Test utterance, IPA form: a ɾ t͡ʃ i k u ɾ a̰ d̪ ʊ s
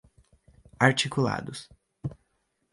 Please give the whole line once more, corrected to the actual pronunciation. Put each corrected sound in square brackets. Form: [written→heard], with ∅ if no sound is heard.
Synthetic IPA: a ɾ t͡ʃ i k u [ɾ→l] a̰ d̪ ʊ s